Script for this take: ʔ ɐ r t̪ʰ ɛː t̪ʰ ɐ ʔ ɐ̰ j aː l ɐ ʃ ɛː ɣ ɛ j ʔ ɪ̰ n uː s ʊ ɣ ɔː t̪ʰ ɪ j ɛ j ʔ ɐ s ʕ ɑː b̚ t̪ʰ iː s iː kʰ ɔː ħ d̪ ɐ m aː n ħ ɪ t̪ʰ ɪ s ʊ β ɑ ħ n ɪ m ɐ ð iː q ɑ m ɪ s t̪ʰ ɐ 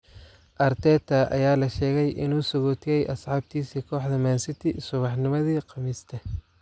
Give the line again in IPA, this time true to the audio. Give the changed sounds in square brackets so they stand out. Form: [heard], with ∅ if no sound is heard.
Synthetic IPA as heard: ʔ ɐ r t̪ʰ ɛː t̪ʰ ɐ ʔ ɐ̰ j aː l ɐ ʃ ɛː ɣ ɛ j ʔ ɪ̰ n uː s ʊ ɣ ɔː t̪ʰ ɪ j ɛ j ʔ ɐ s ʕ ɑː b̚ t̪ʰ iː s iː kʰ ɔː ħ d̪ ɐ m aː n [s] ɪ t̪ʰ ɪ s ʊ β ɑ ħ n ɪ m ɐ ð iː q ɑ m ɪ s t̪ʰ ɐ